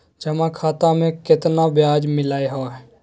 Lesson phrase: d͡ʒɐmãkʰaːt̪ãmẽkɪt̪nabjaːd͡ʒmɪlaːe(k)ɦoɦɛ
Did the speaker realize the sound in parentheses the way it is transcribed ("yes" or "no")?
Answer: no